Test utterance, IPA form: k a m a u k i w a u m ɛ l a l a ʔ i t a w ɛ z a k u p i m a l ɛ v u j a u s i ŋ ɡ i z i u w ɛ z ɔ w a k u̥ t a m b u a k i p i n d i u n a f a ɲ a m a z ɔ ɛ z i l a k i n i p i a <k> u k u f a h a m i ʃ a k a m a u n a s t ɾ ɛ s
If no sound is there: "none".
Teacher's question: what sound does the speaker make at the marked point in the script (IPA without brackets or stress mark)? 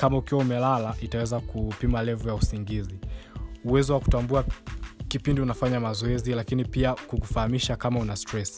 k